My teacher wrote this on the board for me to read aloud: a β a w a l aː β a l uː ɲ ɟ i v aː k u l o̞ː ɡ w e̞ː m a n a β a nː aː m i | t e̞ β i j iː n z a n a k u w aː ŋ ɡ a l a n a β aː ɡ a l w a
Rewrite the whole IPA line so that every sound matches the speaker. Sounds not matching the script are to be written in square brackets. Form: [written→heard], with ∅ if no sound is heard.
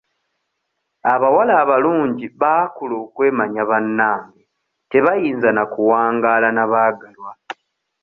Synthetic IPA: a β a w a l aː β a l uː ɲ ɟ i [v→β] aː k u l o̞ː [ɡ→k] w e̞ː m a [n→ɲ] a β a nː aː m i | t e̞ β [i→a] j iː n z a n a k u w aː ŋ ɡ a l a n a β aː ɡ a l w a